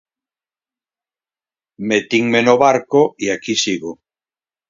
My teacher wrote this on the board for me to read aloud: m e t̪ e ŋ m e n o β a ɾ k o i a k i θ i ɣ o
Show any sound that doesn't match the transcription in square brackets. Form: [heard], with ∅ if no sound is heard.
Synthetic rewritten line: m e t̪ [i] ŋ m e n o β a ɾ k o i a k i [s] i ɣ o